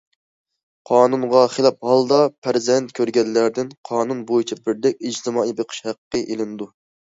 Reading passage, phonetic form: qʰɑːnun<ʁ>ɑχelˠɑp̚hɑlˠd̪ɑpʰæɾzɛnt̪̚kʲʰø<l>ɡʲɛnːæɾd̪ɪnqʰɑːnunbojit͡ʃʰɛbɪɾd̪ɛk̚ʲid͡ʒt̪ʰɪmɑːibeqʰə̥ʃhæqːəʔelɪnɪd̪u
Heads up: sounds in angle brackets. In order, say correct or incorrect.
correct, incorrect

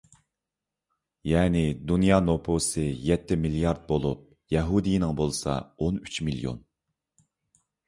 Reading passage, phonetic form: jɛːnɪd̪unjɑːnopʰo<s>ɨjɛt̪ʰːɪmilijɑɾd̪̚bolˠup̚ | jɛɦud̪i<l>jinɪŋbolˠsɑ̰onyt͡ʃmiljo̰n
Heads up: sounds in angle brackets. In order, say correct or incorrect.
correct, incorrect

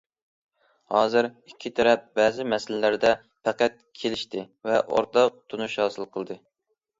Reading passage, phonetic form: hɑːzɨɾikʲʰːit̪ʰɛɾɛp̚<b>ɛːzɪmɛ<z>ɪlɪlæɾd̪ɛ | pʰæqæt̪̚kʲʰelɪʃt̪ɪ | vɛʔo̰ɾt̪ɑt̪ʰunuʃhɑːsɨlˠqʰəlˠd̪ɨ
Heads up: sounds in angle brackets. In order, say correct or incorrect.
correct, incorrect

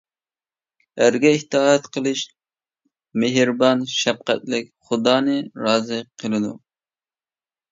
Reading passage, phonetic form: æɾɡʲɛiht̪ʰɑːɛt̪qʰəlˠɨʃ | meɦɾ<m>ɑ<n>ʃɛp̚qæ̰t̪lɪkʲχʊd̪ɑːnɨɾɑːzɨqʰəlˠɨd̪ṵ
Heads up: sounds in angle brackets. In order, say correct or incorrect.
incorrect, correct

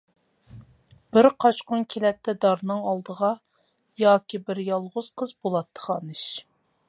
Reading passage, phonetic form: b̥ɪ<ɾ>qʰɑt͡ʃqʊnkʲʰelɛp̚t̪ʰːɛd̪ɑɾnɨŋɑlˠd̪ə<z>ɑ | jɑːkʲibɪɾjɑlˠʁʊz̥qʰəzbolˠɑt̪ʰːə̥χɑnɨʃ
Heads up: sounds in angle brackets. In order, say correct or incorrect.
correct, incorrect

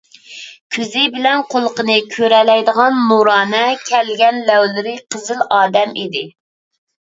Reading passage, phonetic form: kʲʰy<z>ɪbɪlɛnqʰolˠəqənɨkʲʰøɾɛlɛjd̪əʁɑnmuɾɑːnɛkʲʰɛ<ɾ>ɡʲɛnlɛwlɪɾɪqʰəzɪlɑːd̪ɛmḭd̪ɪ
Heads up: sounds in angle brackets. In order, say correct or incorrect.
correct, incorrect

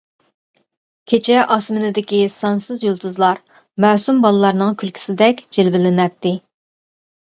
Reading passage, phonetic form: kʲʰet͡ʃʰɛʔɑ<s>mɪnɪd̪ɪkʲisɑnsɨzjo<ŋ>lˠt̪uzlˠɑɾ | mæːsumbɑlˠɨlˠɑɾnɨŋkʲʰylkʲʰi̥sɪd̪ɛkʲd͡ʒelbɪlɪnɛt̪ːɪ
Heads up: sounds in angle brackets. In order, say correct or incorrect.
correct, incorrect

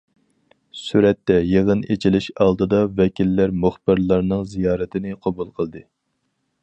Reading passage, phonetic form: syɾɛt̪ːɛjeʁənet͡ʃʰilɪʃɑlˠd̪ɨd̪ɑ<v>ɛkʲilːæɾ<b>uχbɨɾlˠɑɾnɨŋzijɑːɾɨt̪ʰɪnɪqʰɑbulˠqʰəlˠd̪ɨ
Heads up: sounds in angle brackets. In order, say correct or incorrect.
correct, incorrect

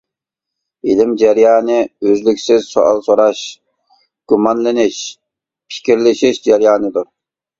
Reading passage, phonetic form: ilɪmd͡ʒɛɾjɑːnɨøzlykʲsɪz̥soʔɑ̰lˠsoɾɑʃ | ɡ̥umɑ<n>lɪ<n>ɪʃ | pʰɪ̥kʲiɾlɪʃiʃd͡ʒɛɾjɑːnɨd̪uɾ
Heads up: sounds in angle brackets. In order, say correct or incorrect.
correct, correct

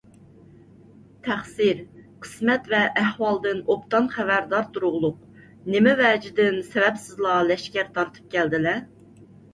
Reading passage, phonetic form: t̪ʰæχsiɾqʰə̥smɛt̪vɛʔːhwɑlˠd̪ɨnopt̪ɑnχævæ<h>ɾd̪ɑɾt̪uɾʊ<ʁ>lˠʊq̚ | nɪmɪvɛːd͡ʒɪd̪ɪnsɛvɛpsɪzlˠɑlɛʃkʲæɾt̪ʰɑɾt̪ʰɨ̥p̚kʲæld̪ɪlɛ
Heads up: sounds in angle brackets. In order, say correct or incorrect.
incorrect, correct

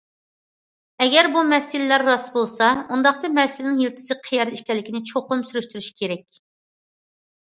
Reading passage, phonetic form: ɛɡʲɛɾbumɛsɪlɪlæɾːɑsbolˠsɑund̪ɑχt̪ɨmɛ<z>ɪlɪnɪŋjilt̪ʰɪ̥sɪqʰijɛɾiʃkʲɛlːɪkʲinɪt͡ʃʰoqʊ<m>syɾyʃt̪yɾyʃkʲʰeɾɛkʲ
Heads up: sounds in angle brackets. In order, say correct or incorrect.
incorrect, correct

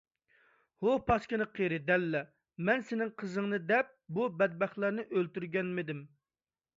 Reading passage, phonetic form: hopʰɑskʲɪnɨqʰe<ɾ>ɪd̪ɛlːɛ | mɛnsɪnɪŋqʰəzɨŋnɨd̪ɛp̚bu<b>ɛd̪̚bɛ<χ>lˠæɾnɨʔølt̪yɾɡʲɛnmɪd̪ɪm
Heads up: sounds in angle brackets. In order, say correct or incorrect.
correct, correct, correct

